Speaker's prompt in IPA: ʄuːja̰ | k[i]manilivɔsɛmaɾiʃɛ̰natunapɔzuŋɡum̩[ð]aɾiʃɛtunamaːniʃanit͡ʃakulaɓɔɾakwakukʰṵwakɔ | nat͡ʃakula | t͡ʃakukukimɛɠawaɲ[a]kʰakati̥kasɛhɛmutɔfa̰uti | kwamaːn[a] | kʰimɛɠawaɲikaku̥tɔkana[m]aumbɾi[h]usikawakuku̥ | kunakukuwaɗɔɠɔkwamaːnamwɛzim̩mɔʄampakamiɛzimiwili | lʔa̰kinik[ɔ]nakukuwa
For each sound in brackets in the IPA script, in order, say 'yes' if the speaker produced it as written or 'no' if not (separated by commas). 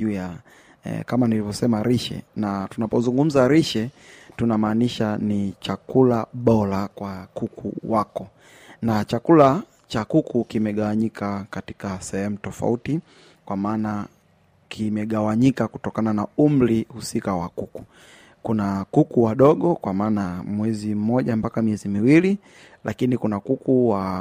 no, no, no, yes, no, yes, no